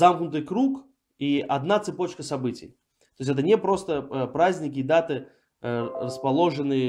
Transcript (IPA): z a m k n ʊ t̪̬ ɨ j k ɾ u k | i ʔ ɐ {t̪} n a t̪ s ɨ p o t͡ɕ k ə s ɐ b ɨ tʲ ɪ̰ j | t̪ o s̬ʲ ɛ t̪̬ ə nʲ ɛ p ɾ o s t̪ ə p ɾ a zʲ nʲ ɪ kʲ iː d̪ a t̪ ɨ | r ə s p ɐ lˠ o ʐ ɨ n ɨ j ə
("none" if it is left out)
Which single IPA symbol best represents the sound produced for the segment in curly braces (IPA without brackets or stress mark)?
d̪